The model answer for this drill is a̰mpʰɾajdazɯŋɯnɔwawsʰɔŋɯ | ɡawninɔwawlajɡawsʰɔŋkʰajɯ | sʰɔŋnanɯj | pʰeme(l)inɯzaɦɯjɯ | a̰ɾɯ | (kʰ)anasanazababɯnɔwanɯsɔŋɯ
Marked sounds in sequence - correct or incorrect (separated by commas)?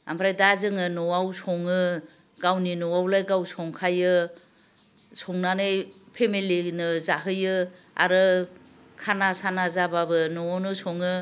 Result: correct, correct